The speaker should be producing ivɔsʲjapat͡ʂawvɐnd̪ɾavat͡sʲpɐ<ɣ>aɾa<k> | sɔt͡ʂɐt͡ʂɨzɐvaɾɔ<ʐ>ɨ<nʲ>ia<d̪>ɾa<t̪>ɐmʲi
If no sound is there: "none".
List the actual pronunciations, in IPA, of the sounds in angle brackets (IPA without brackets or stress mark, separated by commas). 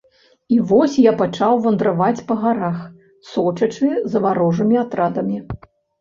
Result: ɣ, x, ʐ, mʲ, t̪, d̪